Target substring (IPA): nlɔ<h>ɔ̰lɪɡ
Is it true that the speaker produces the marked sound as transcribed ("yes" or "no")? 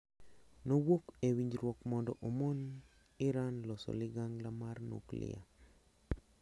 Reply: no